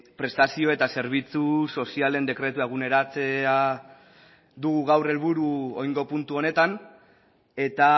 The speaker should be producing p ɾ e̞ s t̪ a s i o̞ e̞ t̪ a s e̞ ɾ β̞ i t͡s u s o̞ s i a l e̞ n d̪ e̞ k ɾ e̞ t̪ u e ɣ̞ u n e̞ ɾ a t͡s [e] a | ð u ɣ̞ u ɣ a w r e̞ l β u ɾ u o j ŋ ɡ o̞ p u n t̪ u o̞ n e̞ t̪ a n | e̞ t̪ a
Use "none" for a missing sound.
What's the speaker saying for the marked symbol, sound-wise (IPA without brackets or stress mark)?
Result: e